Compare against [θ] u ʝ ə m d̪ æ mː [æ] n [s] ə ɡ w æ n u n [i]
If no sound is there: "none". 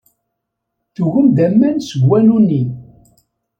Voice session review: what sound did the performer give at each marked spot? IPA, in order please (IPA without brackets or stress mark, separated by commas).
θ, æ, s, i